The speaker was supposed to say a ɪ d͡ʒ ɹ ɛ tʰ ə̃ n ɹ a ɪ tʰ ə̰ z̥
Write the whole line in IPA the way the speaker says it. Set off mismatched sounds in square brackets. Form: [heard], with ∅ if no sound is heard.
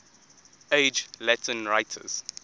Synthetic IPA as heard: [e] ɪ d͡ʒ [l] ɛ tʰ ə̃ n ɹ a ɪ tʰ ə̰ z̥